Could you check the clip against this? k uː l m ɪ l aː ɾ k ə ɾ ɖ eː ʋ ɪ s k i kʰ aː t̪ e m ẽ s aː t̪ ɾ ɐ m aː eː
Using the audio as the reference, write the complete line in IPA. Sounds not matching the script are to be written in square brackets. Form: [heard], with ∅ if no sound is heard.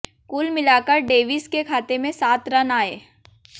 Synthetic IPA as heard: k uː l m ɪ l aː [∅] k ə ɾ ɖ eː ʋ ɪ s k [e] kʰ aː t̪ e m ẽ s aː t̪ ɾ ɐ [n] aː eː